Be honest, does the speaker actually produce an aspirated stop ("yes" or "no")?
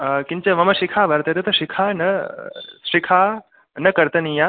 yes